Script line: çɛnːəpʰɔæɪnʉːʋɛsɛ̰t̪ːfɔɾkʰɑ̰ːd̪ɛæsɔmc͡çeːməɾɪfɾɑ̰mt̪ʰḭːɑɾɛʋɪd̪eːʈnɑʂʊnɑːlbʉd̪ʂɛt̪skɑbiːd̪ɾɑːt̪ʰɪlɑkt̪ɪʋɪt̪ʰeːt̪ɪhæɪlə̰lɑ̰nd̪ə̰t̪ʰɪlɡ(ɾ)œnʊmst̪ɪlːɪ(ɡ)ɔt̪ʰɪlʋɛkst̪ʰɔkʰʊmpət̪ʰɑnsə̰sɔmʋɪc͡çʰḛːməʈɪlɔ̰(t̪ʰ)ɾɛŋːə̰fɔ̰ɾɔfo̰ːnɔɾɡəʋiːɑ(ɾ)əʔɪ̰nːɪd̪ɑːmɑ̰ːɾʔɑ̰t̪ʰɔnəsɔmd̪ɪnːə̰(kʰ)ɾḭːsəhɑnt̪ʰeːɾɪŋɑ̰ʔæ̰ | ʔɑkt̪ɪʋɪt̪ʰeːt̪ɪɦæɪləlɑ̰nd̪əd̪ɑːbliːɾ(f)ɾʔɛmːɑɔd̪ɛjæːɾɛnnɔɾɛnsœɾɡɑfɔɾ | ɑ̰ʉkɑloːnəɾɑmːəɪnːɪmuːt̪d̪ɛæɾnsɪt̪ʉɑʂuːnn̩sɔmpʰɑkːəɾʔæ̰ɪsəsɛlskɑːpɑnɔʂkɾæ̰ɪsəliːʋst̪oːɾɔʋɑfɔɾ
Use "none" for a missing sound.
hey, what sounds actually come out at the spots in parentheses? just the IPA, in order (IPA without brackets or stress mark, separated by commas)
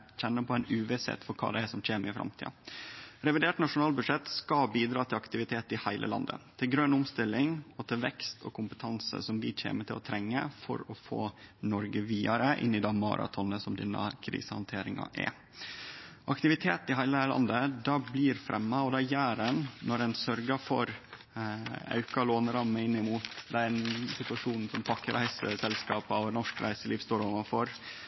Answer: ɾ, ŋ, t̪ʰ, ɾ, kʰ, f